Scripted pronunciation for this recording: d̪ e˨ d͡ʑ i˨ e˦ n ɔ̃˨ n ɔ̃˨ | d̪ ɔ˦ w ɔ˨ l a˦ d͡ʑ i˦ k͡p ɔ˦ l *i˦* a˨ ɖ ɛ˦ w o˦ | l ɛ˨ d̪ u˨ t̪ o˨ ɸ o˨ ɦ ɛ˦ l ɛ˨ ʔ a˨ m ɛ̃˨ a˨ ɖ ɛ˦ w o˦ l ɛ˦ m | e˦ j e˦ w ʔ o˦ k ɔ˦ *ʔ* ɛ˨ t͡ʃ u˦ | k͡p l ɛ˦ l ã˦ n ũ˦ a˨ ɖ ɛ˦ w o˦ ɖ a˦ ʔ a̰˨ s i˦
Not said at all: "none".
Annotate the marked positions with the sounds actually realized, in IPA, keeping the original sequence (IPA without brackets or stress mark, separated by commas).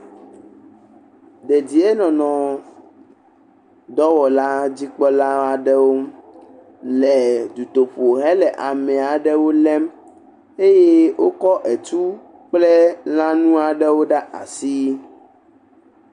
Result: a˦, ʔ